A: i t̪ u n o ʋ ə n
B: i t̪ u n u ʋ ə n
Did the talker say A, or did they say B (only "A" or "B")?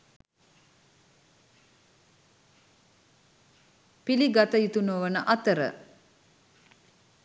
A